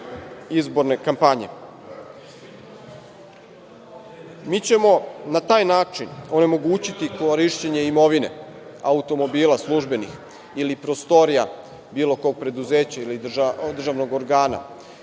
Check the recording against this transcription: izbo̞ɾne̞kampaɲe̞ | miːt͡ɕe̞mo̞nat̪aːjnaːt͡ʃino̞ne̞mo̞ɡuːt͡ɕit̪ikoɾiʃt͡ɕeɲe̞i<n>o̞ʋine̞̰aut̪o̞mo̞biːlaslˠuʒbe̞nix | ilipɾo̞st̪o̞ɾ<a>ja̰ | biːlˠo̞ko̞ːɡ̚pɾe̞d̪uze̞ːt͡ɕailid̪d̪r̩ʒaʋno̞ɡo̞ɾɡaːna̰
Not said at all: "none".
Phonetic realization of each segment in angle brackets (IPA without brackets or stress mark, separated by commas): m, i